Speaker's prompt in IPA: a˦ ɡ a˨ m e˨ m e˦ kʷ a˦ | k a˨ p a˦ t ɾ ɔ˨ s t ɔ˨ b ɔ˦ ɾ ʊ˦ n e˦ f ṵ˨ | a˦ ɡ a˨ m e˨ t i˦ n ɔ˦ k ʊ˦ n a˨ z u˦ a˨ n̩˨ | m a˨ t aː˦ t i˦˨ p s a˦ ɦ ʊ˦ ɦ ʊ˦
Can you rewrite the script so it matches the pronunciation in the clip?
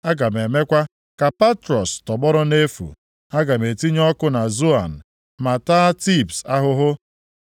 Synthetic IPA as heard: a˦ ɡ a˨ m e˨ m e˦ kʷ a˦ | k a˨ p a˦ t ɾ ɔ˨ s t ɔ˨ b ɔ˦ ɾ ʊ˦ n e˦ f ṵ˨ | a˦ ɡ a˨ m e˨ t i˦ ɲ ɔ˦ k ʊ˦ n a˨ z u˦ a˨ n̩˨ | m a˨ t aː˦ t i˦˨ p s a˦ ɦ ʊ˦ ɦ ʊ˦

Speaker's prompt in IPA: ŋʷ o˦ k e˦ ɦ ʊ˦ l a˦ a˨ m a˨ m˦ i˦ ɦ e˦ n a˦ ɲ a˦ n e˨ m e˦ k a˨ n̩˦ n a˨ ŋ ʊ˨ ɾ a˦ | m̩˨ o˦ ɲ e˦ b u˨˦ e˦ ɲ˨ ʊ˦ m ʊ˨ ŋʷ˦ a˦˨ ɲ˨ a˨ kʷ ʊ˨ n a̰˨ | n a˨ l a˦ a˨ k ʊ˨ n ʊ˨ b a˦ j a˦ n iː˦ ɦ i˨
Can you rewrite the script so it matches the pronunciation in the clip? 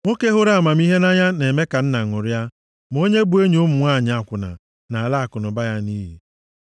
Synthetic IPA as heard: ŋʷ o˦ k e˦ ɦ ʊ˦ ɾ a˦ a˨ m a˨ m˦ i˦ ɦ e˦ n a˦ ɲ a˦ n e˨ m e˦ k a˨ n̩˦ n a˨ ŋ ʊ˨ ɾ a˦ | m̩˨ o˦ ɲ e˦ b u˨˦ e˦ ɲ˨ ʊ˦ m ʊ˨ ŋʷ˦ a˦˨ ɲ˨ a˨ kʷ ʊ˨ n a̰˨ | n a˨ l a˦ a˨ k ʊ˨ n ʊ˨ b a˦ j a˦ n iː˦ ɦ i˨

